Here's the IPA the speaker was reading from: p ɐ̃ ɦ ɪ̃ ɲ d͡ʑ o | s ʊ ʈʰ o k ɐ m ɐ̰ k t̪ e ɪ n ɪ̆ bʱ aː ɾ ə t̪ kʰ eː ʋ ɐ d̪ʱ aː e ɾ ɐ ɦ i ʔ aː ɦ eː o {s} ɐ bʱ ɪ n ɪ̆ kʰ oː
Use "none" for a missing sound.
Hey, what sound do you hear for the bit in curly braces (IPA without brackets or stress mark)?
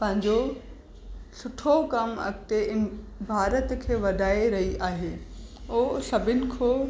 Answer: s